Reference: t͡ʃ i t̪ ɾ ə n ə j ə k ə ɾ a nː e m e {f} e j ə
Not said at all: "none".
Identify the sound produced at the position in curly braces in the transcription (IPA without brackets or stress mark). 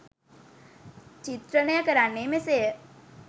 s